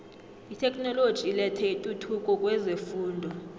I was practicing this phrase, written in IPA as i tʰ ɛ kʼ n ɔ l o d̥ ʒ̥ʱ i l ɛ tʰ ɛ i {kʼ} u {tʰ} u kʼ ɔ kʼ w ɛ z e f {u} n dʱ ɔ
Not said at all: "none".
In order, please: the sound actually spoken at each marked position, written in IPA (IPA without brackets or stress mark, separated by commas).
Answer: tʼ, tʰ, uː